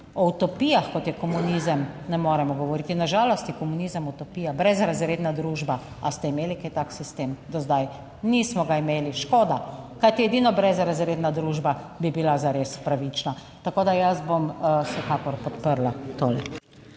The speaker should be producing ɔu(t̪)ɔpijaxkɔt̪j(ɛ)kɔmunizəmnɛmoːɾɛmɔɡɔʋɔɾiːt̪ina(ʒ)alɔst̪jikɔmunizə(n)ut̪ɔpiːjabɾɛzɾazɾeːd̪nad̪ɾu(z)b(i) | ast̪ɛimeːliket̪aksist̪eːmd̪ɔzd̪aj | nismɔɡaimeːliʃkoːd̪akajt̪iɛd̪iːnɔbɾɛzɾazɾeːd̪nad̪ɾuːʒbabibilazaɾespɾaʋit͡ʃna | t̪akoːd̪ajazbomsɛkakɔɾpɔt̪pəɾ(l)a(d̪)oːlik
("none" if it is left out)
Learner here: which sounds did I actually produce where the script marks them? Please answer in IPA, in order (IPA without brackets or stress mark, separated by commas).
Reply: t̪, ɛ, ʒ, m, ʒ, a, l, t̪